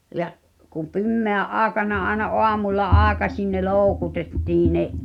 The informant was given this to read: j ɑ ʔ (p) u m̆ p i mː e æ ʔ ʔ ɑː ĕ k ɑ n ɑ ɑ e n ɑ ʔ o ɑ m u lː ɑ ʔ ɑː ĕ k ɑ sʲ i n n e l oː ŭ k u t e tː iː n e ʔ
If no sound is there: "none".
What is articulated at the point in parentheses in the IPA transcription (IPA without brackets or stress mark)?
k